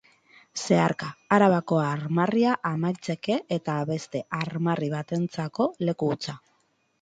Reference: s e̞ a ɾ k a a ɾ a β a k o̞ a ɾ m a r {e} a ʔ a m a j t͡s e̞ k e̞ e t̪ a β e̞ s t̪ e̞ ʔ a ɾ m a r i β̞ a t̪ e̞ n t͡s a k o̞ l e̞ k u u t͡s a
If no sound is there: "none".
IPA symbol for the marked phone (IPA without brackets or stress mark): i